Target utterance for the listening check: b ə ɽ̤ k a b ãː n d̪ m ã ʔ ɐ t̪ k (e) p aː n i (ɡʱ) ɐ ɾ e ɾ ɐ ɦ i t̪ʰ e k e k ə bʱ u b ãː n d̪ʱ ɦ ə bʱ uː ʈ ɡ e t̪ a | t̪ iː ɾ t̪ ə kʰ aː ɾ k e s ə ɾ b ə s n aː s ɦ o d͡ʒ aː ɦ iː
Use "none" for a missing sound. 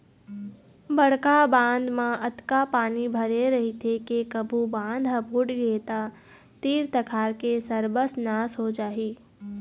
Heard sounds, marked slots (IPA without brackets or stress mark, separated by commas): a, bʱ